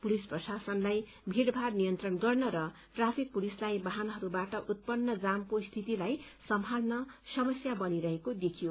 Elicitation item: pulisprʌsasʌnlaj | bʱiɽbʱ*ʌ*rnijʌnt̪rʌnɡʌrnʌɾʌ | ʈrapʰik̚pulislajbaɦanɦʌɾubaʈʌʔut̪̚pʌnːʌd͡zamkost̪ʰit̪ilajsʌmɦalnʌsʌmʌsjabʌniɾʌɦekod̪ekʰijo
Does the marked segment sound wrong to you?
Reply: yes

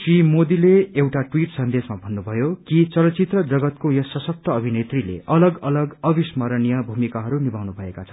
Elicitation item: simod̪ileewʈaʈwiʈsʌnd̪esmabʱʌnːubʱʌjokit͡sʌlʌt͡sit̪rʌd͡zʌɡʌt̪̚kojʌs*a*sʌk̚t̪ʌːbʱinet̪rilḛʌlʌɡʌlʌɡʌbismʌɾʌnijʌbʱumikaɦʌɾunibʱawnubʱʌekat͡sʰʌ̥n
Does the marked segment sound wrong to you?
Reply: yes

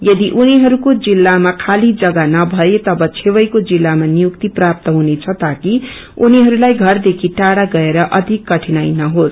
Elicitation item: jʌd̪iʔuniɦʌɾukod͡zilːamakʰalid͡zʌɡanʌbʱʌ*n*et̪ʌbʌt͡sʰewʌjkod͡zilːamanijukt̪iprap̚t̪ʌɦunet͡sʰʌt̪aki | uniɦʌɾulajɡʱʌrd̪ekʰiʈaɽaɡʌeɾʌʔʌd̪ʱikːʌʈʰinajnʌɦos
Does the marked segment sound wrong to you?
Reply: yes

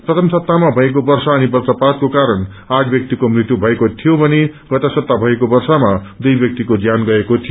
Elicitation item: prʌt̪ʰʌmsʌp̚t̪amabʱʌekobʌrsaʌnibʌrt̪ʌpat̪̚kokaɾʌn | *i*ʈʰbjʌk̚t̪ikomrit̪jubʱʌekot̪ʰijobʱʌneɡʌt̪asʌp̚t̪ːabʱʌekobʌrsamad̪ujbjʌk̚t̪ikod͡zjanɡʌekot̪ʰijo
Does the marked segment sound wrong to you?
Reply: yes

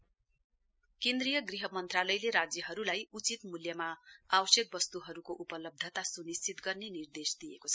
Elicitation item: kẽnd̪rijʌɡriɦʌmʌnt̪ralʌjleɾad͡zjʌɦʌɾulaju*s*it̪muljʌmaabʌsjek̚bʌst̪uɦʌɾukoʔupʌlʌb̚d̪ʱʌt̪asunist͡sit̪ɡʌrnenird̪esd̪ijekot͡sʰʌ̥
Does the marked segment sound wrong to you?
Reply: yes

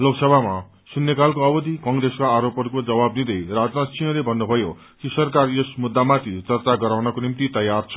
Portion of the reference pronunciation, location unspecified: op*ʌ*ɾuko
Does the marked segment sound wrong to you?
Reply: no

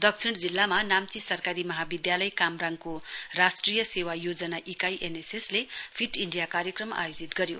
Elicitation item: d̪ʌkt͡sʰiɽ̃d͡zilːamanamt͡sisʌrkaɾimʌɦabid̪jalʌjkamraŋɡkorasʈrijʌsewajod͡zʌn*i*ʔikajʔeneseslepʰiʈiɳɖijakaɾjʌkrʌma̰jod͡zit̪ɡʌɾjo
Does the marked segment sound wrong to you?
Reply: yes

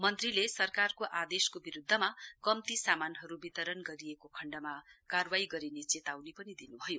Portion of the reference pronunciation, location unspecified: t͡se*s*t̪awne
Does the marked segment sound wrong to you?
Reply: yes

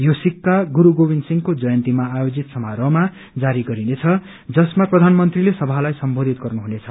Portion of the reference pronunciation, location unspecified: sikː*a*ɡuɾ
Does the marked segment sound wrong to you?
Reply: no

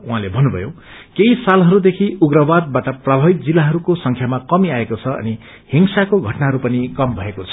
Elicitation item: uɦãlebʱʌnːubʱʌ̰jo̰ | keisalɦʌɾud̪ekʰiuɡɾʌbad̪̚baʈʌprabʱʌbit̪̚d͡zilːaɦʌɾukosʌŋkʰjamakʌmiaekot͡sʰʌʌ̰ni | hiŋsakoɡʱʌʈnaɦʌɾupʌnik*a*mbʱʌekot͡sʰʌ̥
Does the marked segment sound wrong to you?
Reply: yes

